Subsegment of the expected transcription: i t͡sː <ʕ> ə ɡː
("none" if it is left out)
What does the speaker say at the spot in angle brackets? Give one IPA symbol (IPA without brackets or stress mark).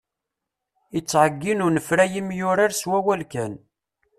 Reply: ʕ